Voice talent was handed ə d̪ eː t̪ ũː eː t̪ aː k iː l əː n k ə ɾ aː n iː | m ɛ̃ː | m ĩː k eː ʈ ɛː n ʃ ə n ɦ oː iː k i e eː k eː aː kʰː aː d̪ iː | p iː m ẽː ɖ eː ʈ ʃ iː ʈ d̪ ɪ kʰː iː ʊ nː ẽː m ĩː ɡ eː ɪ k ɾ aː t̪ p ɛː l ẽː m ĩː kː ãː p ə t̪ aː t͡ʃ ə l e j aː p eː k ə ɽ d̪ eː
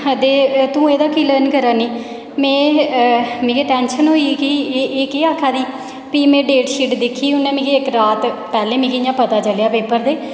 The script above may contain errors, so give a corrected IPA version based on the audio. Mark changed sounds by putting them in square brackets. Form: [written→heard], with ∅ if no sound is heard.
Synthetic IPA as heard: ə d̪ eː t̪ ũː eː [t̪→d̪] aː k iː l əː n k ə ɾ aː n iː | m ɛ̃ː | m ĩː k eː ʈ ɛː n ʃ ə n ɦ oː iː k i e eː k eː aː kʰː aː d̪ iː | p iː m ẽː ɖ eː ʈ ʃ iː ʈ d̪ ɪ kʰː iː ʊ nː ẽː m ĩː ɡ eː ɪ k ɾ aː t̪ p ɛː l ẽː m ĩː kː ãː p ə t̪ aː t͡ʃ ə l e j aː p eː [k→p] ə [ɽ→ɾ] d̪ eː